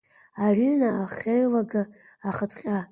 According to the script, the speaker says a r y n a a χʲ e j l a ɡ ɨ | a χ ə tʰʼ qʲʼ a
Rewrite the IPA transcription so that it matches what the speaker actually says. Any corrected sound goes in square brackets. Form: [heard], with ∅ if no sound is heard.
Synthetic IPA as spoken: a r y n a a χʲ e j l a ɡ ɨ | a χ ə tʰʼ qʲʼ a